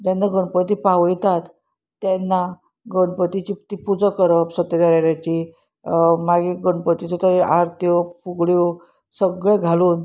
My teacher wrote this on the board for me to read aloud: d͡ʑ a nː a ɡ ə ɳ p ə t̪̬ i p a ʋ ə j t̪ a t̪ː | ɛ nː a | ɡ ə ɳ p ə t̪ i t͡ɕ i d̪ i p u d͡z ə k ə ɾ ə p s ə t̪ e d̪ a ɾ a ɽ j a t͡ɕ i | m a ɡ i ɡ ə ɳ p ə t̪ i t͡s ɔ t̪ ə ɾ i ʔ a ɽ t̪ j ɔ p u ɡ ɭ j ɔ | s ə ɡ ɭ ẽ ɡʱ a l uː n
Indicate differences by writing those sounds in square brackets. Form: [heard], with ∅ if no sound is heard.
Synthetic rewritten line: d͡ʑ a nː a ɡ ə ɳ p ə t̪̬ i p a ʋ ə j t̪ a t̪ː | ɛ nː a | ɡ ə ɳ p ə t̪ i t͡ɕ i [t̪] i p u d͡z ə k ə ɾ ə p s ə t̪ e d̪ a ɾ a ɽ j a t͡ɕ i | m a ɡ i ɡ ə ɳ p ə t̪ i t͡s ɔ t̪ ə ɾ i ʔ a [ɾ] t̪ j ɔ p u ɡ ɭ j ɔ | s ə ɡ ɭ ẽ ɡʱ a l uː n